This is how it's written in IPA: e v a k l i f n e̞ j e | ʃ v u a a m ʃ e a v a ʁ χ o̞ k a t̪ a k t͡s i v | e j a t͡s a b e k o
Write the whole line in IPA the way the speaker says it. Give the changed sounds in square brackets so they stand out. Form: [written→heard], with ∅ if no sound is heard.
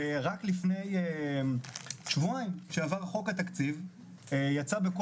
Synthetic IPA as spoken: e [v→ʁ] a k l i f n e̞ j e | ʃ v u a [a→i] m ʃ e a v a ʁ χ o̞ k a t̪ a k t͡s i v | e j a t͡s a b e k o